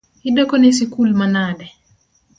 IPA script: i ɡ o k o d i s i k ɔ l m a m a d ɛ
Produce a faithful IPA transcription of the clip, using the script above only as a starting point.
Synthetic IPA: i d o k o n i s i k u l m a n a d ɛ